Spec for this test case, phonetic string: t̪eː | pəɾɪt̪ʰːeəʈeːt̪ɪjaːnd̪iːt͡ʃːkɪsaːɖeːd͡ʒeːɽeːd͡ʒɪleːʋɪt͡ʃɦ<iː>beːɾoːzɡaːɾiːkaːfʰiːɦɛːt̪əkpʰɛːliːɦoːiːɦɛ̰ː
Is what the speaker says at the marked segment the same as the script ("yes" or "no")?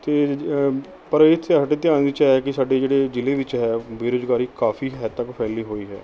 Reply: no